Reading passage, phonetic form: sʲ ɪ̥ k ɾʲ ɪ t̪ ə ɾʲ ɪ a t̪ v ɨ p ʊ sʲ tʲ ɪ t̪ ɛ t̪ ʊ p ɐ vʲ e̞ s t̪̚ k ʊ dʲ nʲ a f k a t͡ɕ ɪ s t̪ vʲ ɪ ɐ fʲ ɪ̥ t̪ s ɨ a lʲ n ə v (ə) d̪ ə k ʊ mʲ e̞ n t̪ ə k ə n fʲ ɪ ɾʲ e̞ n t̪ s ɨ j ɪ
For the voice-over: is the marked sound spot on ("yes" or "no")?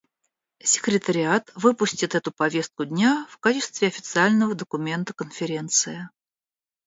yes